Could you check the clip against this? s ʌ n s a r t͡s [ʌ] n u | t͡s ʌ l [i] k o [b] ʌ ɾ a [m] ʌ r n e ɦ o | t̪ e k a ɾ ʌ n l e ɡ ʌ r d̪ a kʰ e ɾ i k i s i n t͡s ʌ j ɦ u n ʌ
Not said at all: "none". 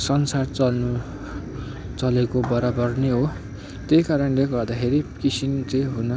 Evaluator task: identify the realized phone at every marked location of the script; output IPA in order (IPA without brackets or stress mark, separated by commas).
ʌ, e, b, b